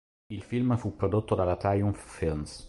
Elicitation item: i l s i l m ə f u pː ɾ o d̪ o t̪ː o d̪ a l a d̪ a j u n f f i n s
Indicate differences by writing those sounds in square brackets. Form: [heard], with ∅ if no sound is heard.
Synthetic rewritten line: i l [f] i l m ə f u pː ɾ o d̪ o t̪ː o d̪ a l a [t̪] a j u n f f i n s